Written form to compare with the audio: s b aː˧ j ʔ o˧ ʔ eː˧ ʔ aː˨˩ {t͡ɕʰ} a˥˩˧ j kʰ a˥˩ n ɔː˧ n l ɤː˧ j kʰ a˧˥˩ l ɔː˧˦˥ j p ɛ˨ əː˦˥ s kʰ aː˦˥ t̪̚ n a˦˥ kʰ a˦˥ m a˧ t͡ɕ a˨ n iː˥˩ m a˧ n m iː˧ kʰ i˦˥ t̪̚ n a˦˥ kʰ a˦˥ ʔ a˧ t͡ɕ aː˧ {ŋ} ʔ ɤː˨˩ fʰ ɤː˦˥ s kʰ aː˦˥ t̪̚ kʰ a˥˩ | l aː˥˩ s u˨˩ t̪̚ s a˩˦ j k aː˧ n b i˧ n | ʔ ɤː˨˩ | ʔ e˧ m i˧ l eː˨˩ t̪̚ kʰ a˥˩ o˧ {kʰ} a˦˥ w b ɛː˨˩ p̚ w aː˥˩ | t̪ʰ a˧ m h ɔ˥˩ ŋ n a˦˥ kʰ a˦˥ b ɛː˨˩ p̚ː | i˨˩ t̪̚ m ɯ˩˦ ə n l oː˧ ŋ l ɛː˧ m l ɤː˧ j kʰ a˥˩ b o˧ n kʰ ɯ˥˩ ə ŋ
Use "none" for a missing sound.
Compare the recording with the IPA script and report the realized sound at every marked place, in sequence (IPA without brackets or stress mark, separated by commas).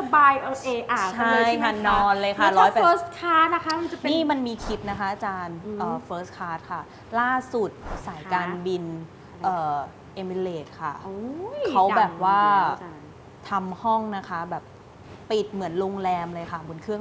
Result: t͡ɕʰ, n, kʰ